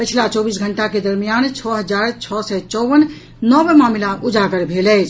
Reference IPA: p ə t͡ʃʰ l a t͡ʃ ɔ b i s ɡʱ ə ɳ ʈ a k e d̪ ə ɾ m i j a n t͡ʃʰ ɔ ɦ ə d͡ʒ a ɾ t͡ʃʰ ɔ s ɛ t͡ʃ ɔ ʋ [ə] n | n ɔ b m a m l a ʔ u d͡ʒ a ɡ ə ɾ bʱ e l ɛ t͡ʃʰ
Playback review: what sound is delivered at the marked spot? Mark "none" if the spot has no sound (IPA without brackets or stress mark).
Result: ə